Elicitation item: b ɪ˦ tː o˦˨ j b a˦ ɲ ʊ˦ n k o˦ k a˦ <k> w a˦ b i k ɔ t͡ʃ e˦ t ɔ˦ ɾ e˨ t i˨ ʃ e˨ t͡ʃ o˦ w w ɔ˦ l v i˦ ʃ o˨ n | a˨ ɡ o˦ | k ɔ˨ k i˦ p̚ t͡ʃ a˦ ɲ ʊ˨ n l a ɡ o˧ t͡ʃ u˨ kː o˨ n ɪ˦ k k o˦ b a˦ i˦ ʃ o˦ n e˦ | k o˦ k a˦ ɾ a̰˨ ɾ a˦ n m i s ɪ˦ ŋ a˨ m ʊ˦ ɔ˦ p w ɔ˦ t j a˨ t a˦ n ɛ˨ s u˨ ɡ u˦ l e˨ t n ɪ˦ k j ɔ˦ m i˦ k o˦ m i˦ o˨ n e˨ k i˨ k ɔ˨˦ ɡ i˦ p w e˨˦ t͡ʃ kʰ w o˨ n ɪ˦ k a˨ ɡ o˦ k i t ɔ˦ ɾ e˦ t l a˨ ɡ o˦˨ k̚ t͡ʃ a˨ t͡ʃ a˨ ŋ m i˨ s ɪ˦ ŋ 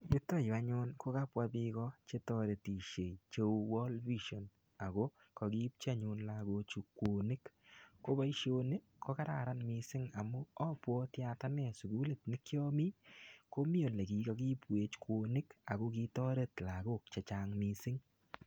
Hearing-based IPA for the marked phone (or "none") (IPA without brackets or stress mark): p